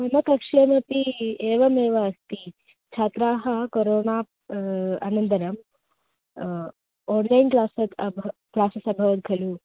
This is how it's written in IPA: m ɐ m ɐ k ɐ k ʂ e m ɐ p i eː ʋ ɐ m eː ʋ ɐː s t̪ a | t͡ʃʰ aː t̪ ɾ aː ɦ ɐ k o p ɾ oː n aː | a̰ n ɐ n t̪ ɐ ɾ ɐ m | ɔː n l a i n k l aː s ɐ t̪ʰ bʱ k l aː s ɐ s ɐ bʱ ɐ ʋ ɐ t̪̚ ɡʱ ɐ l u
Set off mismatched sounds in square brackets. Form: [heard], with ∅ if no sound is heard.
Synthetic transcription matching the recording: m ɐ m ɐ k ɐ k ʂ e m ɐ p i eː ʋ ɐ m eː ʋ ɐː s t̪ [i] | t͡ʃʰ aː t̪ ɾ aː ɦ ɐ k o [∅] ɾ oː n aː | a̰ n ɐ n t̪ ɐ ɾ ɐ m | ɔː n l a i n k l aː s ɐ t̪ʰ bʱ k l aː s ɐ s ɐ bʱ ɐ ʋ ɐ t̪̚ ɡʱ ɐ l u